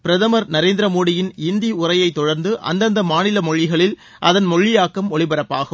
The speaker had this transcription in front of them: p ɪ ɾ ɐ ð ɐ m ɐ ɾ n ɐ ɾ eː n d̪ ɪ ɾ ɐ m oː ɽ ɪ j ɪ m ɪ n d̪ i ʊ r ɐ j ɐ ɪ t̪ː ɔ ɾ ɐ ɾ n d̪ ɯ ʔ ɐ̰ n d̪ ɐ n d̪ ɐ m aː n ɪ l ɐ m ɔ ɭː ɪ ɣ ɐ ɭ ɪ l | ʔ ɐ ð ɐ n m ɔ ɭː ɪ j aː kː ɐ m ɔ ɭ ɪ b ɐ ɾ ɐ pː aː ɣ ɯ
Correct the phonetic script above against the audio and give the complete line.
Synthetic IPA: p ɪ ɾ ɐ ð ɐ m ɐ ɾ n ɐ ɾ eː n d̪ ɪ ɾ ɐ m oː ɽ ɪ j ɪ n ɪ n d̪ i ʊ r ɐ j ɐ ɪ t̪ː ɔ ɽ ɐ ɾ n d̪ ɯ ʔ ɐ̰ n d̪ ɐ n d̪ ɐ m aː n ɪ l ɐ m ɔ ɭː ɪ ɣ ɐ ɭ ɪ l | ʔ ɐ ð ɐ n m ɔ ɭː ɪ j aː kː ɐ m ɔ ɭ ɪ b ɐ ɾ ɐ pː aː ɣ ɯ